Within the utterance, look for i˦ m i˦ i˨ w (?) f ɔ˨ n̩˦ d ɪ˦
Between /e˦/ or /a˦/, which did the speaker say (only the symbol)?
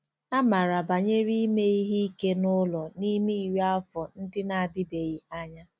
a˦